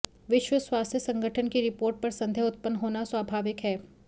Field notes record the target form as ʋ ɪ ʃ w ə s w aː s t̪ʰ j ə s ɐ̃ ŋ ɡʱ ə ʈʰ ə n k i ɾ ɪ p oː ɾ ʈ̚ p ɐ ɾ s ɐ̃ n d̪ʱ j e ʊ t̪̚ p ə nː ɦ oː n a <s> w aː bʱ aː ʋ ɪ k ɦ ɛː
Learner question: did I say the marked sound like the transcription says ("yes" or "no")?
yes